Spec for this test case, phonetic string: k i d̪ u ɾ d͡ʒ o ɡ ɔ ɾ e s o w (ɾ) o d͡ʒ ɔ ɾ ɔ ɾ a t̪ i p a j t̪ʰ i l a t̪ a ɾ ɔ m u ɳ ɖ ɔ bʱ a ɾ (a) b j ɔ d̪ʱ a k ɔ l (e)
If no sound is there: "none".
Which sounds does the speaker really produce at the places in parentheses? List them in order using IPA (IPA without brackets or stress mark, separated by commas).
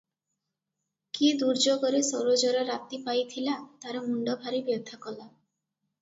ɾ, i, a